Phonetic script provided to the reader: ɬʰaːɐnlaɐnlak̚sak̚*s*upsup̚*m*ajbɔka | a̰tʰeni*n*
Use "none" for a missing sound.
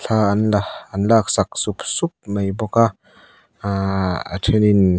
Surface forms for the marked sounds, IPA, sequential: s, m, n

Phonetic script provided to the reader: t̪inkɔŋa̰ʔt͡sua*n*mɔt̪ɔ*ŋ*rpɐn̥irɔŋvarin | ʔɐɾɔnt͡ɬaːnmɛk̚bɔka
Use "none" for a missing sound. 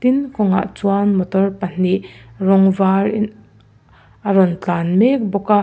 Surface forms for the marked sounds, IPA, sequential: n, none

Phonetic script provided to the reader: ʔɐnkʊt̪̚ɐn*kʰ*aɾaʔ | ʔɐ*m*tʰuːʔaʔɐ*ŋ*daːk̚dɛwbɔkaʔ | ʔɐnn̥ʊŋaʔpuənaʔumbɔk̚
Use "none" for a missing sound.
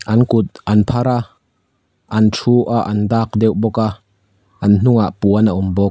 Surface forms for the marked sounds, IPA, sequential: pʰ, n, n

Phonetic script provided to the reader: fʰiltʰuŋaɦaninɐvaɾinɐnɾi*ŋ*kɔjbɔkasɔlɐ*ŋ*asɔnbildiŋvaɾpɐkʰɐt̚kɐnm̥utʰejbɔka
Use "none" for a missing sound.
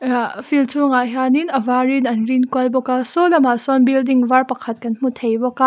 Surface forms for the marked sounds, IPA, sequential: n, m

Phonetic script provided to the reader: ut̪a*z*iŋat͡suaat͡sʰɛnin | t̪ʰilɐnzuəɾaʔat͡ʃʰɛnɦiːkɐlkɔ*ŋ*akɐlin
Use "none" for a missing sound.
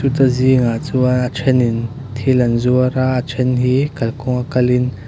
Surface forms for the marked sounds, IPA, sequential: z, ŋ

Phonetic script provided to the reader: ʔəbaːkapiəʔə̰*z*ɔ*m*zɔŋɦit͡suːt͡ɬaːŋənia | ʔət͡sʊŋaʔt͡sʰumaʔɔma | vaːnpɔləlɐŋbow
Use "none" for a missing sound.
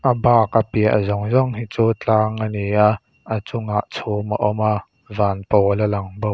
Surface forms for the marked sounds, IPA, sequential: z, ŋ

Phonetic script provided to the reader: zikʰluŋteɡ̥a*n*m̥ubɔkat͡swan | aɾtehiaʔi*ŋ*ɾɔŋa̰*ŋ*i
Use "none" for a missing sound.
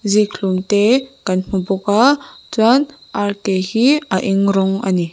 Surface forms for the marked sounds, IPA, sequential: n, ŋ, n

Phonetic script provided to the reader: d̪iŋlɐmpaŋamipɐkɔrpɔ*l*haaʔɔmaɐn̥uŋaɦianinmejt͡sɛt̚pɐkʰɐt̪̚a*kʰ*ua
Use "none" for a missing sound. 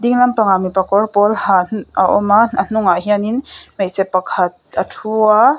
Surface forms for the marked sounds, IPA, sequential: l, tʰ

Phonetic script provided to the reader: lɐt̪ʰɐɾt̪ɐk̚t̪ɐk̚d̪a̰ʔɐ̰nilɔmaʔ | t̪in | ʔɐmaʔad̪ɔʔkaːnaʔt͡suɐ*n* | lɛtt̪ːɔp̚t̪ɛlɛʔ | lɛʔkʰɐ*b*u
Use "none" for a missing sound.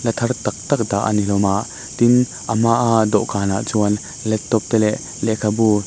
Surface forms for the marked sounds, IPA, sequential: n, b

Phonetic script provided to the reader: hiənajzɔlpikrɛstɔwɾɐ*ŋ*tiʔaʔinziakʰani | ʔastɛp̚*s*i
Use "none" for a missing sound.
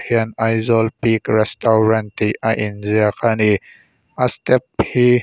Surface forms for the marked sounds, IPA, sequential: n, h

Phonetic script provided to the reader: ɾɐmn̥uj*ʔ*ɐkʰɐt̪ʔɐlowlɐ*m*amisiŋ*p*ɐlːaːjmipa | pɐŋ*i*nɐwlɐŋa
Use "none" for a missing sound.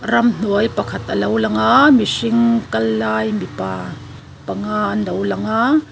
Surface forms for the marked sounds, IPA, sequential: p, ŋ, k, a

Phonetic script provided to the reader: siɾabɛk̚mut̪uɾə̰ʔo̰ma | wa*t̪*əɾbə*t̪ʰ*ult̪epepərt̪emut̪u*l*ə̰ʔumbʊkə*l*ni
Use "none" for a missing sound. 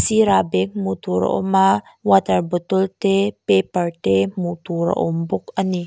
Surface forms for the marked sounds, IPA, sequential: t̪, t̪, ɾ, none

